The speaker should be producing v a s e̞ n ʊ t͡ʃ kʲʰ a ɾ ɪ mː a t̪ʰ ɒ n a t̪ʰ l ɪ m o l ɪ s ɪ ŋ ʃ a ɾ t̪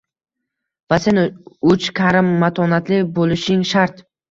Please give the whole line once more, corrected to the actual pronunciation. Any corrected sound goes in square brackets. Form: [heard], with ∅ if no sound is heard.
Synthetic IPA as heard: v a s e̞ n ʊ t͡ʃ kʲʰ a ɾ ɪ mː a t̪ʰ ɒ n a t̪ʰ l ɪ [b] o l ɪ [ʃ] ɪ ŋ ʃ a ɾ t̪